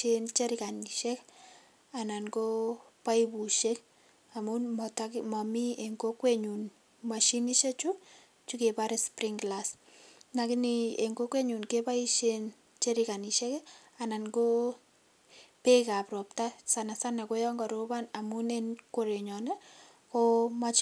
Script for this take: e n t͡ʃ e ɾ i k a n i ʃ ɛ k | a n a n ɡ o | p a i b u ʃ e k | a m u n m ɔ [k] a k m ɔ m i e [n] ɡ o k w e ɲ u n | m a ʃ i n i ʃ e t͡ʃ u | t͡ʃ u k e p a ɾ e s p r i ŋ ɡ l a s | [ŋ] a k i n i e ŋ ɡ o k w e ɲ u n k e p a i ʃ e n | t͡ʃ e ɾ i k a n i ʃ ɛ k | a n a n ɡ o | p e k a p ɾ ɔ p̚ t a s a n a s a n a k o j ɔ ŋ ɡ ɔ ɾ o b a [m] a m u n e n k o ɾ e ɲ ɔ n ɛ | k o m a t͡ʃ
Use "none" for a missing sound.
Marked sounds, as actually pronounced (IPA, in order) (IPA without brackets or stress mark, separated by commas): t, ŋ, n, n